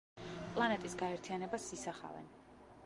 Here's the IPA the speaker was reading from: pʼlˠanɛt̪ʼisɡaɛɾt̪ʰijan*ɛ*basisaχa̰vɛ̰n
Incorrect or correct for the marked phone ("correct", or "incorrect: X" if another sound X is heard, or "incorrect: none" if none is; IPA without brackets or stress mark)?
correct